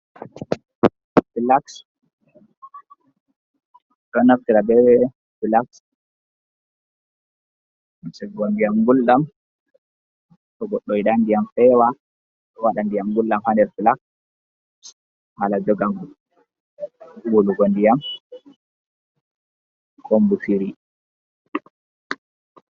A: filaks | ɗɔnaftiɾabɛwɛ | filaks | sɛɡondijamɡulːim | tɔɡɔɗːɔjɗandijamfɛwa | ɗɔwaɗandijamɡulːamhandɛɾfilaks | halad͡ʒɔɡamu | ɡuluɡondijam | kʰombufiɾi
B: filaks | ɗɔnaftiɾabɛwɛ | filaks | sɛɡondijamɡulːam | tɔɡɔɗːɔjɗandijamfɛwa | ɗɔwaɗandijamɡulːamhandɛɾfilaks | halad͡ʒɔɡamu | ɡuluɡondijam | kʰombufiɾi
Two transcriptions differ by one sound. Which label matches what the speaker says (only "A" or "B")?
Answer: B